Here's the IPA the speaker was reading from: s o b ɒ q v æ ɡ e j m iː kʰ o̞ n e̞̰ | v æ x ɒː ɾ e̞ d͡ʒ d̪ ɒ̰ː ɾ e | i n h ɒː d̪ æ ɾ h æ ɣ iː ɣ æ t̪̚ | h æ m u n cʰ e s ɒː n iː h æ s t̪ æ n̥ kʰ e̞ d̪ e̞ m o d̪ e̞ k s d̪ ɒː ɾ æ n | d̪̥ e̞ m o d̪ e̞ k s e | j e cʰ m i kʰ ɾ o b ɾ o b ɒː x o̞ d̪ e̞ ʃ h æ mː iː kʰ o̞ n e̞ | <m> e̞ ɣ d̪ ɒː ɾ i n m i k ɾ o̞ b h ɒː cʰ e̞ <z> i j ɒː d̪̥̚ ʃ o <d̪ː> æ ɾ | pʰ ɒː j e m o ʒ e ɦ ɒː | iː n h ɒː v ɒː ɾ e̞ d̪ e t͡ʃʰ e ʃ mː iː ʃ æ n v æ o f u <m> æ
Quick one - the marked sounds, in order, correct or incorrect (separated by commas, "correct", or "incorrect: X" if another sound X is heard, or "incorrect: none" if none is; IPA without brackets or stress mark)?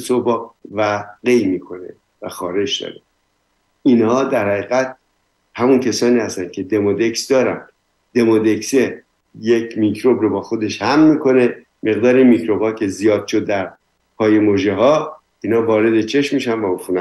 correct, correct, correct, incorrect: n